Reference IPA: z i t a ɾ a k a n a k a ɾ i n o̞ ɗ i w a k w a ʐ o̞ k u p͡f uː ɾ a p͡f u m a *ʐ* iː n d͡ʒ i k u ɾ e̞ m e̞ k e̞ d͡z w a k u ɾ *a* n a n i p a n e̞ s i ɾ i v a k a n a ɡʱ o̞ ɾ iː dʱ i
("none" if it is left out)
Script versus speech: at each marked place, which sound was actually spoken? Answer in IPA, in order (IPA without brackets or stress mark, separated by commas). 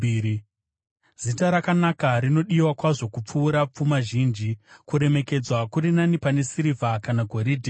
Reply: ʒ, i